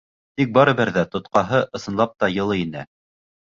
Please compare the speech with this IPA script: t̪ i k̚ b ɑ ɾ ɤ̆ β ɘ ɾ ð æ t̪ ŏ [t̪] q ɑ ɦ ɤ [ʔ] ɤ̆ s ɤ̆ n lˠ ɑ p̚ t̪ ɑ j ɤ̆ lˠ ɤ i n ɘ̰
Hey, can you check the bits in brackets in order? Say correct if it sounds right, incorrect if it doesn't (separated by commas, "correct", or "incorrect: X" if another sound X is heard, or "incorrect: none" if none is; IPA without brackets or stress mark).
correct, correct